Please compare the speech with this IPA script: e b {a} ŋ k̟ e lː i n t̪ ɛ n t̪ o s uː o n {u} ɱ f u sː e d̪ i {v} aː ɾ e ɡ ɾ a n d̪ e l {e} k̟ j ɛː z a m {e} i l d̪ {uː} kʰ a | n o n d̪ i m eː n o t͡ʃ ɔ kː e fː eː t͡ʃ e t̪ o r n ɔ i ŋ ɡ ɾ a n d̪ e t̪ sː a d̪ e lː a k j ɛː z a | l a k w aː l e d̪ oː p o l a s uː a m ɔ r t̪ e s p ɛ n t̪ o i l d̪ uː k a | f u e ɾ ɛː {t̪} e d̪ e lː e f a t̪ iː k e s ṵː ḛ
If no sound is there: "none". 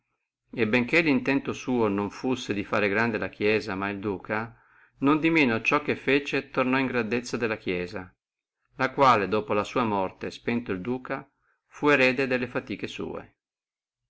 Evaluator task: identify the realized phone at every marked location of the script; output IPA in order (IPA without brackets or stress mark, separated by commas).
e, o, f, a, a, uː, d̪